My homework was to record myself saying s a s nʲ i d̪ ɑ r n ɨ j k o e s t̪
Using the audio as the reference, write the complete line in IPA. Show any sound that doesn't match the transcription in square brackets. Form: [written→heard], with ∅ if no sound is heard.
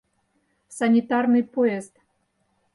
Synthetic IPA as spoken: s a [s→∅] nʲ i [d̪→t̪] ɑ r n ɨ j [k→p] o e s t̪